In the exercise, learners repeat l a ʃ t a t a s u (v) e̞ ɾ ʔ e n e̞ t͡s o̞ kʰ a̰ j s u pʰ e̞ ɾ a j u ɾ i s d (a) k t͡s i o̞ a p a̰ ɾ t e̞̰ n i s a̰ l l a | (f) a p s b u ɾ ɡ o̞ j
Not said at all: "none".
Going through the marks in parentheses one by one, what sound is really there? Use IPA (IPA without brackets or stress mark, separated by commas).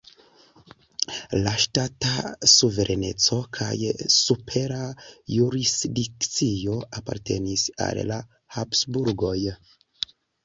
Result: v, i, h